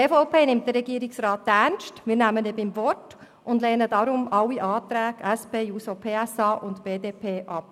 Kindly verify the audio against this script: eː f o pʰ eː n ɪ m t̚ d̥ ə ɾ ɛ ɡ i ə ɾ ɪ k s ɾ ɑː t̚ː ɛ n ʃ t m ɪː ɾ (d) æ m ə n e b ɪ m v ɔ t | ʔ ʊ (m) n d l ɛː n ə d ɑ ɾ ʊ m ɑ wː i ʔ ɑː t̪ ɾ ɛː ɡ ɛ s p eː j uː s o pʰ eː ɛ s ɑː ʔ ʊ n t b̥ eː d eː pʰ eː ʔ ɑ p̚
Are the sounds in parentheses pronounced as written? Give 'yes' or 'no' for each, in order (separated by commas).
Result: no, no